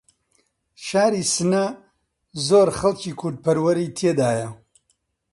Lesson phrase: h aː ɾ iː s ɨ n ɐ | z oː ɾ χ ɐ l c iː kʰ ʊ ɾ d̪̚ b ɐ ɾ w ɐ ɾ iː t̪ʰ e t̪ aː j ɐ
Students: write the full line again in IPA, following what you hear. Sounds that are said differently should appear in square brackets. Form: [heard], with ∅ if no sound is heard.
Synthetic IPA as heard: [ʃ] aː ɾ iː s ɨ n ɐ | z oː ɾ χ ɐ l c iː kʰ ʊ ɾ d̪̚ [p] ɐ ɾ w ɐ ɾ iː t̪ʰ e [d̪] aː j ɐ